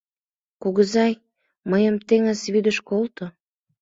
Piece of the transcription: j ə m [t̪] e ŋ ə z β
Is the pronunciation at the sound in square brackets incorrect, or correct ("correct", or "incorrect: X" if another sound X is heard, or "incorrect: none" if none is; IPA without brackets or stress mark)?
correct